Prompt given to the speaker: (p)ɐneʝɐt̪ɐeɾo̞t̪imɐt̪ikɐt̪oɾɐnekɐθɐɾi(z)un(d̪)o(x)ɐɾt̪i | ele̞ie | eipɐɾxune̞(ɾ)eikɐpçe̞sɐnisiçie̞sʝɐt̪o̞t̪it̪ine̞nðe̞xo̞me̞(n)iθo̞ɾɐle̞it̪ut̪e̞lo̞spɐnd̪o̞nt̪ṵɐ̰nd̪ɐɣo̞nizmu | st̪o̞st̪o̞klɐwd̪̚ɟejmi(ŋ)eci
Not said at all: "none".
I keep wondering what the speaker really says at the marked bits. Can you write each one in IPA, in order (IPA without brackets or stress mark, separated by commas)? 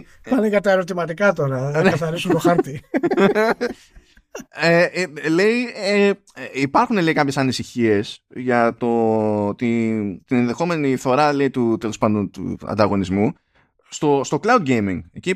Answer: p, s, t̪, x, l, n, ŋ